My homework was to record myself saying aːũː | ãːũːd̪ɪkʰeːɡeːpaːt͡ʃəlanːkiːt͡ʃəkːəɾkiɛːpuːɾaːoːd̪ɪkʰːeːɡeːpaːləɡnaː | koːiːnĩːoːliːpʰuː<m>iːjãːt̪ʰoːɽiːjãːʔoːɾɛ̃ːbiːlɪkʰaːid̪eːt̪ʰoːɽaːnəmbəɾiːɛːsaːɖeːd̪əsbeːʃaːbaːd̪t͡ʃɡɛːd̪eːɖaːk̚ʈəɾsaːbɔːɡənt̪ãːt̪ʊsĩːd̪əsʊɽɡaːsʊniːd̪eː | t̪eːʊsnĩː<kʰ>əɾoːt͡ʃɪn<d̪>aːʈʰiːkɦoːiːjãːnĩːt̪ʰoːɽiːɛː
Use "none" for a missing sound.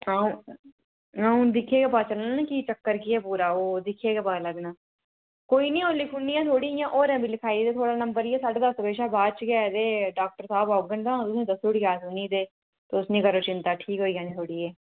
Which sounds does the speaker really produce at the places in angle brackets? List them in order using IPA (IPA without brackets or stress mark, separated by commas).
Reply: n, k, t̪